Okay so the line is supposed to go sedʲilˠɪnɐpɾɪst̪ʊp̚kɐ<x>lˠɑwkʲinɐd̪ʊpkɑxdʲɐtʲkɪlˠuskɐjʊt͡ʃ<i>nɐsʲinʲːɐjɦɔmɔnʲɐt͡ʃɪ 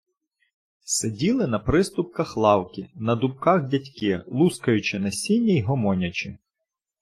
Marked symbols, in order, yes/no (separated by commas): yes, no